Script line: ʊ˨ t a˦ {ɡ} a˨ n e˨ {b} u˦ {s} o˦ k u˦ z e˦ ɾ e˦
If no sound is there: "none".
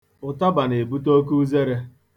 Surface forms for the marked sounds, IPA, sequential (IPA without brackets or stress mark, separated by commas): b, b, t